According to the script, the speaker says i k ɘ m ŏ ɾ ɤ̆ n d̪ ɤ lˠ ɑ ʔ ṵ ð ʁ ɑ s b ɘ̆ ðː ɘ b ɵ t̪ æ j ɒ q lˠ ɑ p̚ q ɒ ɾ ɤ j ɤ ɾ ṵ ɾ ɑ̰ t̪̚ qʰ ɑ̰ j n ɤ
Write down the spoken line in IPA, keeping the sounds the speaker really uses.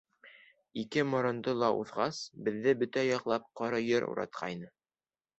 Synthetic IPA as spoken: i k ɘ m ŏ ɾ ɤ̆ n d̪ ɤ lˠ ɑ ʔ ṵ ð ʁ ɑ s b ɘ̆ ðː ɘ b ɵ t̪ æ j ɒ q lˠ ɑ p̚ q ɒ ɾ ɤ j ɤ ɾ ṵ ɾ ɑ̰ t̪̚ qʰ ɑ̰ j n ɤ